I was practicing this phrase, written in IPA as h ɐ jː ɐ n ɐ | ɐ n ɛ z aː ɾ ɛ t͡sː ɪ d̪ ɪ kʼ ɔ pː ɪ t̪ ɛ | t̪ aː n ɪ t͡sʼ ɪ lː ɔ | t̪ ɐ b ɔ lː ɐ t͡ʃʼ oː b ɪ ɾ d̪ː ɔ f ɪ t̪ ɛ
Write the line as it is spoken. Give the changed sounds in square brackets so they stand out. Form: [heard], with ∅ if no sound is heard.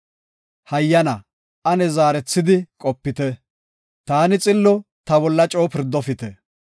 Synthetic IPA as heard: h ɐ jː ɐ n ɐ | ɐ n ɛ z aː ɾ ɛ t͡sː ɪ d̪ ɪ kʼ ɔ pː ɪ t̪ ɛ | t̪ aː n ɪ t͡sʼ ɪ lː ɔ | t̪ ɐ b ɔ lː ɐ t͡ʃʼ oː [p] ɪ ɾ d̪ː ɔ f ɪ t̪ ɛ

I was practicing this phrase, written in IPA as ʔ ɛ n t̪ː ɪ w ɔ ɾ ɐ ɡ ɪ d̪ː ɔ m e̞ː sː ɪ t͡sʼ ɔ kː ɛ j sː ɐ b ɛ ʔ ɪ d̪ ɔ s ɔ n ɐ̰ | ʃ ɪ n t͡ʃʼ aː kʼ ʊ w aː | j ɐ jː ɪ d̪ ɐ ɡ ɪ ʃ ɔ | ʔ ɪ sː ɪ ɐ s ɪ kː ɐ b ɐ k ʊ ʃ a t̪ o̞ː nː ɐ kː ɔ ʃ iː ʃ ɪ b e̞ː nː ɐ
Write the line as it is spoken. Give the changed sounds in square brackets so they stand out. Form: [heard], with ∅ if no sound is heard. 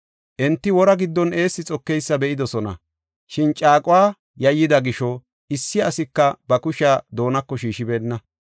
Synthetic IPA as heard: ʔ ɛ n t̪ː ɪ w ɔ ɾ ɐ ɡ ɪ d̪ː ɔ [n] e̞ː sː ɪ t͡sʼ ɔ kː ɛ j sː ɐ b ɛ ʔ ɪ d̪ ɔ s ɔ n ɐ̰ | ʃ ɪ n t͡ʃʼ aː kʼ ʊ w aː | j ɐ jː ɪ d̪ ɐ ɡ ɪ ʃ ɔ | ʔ ɪ sː ɪ ɐ s ɪ kː ɐ b ɐ k ʊ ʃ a [d̪] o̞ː [n] ɐ kː ɔ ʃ iː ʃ ɪ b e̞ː nː ɐ

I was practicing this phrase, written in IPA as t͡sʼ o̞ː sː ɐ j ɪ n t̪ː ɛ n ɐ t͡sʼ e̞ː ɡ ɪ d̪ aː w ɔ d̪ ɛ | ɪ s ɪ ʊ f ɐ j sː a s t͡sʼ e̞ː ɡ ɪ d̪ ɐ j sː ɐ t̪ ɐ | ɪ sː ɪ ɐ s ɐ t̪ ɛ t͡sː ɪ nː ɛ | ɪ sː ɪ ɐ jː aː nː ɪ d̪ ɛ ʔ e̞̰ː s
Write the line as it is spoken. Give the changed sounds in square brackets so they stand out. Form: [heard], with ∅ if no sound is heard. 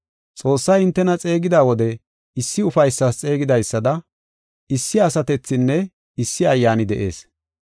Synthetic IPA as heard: t͡sʼ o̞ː sː ɐ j ɪ n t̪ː ɛ n ɐ t͡sʼ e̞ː ɡ ɪ d̪ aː w ɔ d̪ ɛ | ɪ [sː] ɪ ʊ f ɐ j sː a s t͡sʼ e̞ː ɡ ɪ d̪ ɐ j sː ɐ [d̪] ɐ | ɪ sː ɪ ɐ s ɐ t̪ ɛ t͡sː ɪ nː ɛ | ɪ sː ɪ ɐ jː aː [n] ɪ d̪ ɛ ʔ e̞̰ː s

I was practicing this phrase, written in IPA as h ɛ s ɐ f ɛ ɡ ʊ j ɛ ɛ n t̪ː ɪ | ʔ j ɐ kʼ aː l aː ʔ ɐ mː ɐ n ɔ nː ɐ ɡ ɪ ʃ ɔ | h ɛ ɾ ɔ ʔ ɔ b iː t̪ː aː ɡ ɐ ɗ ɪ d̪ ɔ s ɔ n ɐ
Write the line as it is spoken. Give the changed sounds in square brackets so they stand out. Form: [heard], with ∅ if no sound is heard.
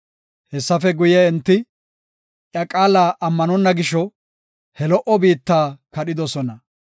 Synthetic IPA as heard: h ɛ [sː] ɐ f ɛ ɡ ʊ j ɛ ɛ n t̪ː ɪ | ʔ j ɐ kʼ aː l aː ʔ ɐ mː ɐ n ɔ nː ɐ ɡ ɪ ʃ ɔ | h ɛ [l] ɔ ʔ ɔ b iː t̪ː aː [k] ɐ ɗ ɪ d̪ ɔ s ɔ n ɐ

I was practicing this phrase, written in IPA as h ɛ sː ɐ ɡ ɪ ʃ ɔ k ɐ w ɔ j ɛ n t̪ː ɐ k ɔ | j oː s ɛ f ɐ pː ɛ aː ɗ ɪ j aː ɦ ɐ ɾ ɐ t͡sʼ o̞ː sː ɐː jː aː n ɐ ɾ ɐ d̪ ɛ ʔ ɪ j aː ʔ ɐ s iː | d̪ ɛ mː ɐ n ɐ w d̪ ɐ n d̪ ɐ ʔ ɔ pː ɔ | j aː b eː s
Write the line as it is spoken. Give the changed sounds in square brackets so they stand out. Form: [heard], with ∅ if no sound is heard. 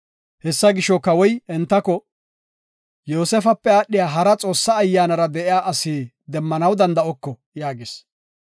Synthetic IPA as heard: h ɛ sː ɐ ɡ ɪ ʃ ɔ k ɐ w ɔ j ɛ n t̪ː ɐ k ɔ | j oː s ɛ f ɐ pː ɛ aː ɗ ɪ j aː ɦ ɐ ɾ ɐ t͡sʼ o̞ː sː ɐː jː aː n ɐ ɾ ɐ d̪ ɛ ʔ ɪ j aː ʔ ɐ s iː | d̪ ɛ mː ɐ n ɐ w d̪ ɐ n d̪ ɐ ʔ ɔ [kː] ɔ | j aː [ɡ] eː s

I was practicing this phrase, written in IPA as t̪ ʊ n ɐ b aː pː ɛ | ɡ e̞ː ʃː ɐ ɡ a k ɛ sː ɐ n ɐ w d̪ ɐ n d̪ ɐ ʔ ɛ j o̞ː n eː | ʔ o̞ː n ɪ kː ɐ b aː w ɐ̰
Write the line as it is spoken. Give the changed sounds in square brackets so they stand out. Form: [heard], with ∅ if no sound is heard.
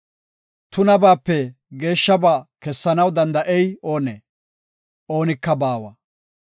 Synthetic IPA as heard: t̪ ʊ n ɐ b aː pː ɛ | ɡ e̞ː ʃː ɐ [b] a k ɛ sː ɐ n ɐ w d̪ ɐ n d̪ ɐ ʔ ɛ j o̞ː n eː | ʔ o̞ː n ɪ kː ɐ b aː w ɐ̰

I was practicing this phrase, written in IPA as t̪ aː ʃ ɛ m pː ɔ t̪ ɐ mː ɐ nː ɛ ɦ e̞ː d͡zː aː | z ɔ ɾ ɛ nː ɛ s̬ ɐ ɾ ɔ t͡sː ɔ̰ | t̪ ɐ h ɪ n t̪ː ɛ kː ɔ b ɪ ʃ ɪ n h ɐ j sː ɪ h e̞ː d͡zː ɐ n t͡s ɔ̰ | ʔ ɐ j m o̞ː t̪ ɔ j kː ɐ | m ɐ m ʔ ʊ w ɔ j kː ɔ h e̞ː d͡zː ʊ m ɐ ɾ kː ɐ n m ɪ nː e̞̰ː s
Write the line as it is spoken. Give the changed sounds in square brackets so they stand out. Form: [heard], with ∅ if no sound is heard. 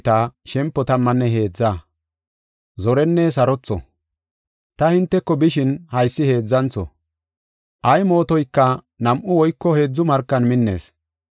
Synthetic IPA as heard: t̪ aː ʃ ɛ m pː ɔ t̪ ɐ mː ɐ nː ɛ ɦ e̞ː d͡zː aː | z ɔ ɾ ɛ nː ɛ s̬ ɐ ɾ ɔ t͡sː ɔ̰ | t̪ ɐ h ɪ n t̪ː ɛ kː ɔ b ɪ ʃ ɪ n h ɐ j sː ɪ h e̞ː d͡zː ɐ n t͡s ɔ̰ | ʔ ɐ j m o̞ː t̪ ɔ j kː ɐ | [n] ɐ m ʔ ʊ w ɔ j kː ɔ h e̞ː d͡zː ʊ m ɐ ɾ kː ɐ n m ɪ nː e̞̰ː s

